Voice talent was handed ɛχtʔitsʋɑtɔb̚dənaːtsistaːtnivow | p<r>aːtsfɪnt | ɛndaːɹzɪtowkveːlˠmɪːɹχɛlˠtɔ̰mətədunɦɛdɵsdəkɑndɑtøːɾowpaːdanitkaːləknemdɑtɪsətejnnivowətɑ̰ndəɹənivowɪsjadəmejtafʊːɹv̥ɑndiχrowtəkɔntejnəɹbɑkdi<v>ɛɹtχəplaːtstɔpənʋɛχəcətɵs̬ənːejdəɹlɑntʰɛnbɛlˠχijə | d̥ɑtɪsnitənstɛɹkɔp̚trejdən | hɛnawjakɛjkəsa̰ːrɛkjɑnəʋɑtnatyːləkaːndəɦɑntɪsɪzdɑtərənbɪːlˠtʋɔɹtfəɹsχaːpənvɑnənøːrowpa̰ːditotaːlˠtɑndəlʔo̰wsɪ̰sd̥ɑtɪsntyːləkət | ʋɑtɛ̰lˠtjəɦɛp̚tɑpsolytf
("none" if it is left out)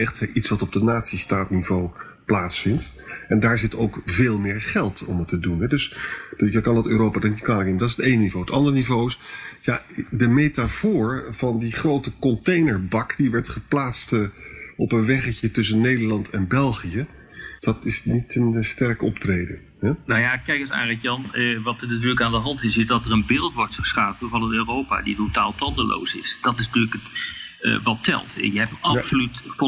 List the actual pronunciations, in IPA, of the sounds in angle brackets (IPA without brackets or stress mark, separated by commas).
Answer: l, ʋ